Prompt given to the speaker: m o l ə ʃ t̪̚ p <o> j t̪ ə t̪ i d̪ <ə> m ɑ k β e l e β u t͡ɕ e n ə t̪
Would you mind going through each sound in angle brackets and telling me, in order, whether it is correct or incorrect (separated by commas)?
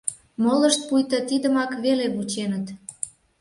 incorrect, correct